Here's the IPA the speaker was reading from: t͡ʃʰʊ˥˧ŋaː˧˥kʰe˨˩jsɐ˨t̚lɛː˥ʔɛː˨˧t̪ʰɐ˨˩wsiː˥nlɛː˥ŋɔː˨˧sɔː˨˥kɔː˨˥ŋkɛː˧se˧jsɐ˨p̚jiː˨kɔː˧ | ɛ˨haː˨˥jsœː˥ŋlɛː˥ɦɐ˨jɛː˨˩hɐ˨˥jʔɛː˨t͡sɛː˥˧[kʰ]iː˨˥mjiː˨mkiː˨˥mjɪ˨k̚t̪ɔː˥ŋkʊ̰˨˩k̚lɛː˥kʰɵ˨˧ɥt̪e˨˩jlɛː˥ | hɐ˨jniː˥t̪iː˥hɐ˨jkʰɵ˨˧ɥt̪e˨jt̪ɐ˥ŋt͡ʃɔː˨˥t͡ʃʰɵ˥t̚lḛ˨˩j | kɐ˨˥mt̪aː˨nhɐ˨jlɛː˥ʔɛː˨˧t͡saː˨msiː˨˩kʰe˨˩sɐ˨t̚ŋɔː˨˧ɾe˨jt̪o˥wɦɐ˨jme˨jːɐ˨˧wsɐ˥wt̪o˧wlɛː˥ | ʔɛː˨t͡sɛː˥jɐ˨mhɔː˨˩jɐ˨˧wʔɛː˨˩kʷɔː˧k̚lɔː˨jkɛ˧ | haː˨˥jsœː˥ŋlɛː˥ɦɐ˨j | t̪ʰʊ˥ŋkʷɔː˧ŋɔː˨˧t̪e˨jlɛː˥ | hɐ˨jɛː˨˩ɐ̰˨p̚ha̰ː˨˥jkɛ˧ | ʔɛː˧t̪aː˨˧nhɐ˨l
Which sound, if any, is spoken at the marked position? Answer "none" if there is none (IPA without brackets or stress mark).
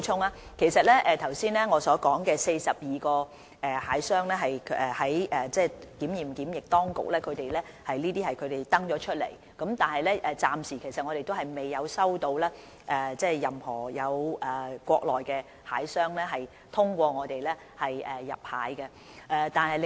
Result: k